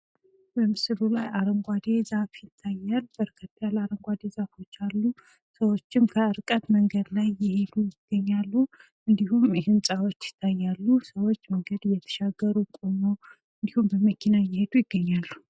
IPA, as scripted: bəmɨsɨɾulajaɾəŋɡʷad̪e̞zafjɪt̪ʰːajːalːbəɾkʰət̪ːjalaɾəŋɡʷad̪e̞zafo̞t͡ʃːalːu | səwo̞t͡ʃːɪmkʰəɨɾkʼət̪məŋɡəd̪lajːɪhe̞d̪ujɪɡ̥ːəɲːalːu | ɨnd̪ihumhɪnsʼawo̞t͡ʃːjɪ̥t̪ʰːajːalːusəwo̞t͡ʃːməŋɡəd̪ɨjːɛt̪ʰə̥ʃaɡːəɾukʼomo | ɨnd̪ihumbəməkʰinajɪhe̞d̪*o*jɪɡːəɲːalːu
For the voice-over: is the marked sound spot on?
no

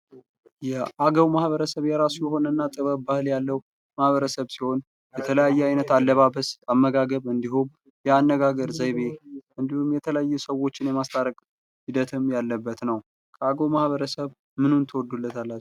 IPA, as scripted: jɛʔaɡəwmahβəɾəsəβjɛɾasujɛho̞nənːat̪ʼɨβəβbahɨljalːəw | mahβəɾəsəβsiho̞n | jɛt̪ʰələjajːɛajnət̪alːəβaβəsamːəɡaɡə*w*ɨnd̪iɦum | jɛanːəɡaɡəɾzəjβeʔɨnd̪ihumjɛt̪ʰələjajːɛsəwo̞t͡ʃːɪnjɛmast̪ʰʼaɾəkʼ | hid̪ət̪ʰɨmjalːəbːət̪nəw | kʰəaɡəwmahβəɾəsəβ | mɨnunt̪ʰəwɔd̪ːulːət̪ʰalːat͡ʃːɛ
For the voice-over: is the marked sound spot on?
no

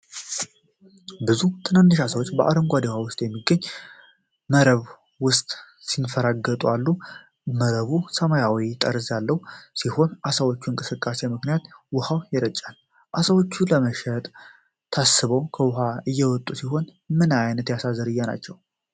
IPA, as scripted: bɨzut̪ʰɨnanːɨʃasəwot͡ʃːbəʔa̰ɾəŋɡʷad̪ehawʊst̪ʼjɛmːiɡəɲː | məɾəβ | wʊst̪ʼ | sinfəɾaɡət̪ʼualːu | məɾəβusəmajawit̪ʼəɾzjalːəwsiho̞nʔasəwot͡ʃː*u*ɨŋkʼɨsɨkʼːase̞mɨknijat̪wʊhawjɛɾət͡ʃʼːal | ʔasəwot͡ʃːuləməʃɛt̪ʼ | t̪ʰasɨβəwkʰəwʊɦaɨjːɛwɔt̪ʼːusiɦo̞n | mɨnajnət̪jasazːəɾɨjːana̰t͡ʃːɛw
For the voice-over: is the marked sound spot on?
yes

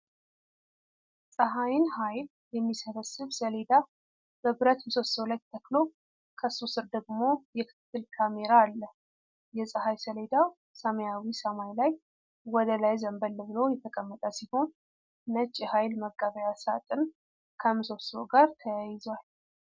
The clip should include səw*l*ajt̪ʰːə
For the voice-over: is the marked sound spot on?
yes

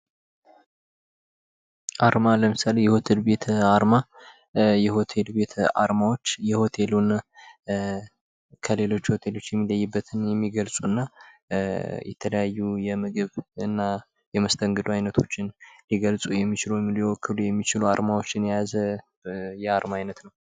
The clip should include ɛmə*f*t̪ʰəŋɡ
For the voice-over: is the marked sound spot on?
no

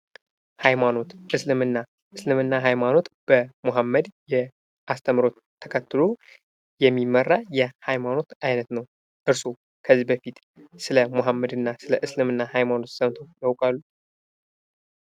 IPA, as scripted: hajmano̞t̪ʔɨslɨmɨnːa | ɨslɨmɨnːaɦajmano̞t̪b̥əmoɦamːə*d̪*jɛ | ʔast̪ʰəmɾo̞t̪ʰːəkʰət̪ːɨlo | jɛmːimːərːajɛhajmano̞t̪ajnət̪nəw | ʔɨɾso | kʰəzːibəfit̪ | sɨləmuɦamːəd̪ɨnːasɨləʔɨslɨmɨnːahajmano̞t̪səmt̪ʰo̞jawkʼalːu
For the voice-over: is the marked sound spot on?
yes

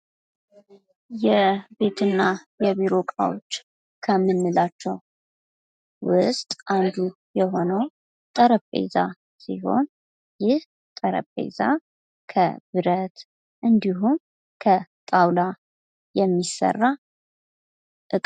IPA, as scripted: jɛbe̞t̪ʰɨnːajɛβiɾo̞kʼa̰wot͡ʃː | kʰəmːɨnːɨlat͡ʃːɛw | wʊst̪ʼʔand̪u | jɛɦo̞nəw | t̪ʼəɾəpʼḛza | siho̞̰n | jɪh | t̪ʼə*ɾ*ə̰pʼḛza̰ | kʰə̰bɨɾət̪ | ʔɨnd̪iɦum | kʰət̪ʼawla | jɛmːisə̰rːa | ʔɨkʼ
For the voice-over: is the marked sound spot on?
yes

